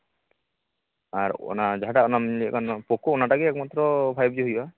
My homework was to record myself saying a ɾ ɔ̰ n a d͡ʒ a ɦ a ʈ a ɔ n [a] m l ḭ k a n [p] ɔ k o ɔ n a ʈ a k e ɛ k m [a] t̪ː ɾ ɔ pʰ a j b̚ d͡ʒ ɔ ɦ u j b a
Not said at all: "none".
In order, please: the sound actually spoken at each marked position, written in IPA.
a, p, a

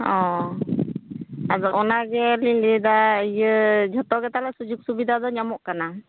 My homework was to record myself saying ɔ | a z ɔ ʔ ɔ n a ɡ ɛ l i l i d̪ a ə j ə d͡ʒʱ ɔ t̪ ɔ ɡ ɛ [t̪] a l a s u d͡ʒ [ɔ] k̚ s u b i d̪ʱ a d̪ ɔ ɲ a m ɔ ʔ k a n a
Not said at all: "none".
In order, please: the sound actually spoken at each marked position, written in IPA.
t̪, u

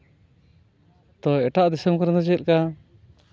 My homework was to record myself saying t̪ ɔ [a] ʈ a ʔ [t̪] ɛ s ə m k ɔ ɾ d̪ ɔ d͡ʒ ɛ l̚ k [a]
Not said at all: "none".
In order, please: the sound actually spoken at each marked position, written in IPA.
ɛ, d̪, a

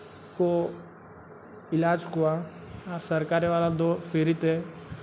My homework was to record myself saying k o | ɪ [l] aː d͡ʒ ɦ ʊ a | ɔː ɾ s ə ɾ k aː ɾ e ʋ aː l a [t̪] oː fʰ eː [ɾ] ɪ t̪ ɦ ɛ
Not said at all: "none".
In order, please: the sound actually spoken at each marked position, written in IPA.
l, d̪, ɾ

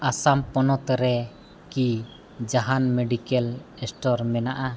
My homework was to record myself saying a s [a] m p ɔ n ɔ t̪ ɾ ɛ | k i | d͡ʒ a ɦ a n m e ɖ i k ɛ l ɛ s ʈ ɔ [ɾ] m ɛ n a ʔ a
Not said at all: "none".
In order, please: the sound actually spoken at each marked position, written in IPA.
a, ɾ

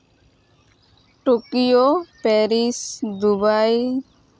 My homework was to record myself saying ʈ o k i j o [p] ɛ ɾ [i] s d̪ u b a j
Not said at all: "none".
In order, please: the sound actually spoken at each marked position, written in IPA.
p, i

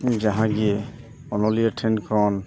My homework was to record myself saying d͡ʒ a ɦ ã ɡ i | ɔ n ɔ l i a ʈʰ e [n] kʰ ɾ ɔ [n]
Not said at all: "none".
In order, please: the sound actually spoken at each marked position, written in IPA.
n, n

